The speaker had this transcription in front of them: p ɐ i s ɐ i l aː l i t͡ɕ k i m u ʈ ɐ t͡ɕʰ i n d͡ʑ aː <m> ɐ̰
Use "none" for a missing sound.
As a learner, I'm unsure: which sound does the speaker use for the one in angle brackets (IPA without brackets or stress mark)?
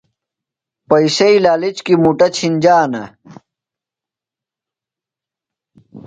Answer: n